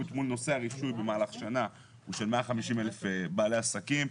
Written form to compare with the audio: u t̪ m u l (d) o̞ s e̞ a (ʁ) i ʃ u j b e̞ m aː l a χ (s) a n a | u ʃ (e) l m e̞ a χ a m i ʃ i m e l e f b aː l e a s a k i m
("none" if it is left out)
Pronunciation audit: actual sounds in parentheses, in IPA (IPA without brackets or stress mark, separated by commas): n, ʁ, ʃ, e